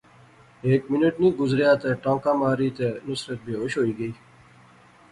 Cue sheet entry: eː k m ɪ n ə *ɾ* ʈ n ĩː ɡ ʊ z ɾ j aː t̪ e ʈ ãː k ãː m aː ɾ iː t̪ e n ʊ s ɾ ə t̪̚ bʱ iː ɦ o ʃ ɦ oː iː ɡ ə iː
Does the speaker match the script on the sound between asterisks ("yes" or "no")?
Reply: no